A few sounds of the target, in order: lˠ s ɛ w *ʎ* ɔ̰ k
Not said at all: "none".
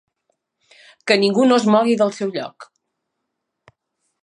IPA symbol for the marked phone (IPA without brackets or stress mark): ʎ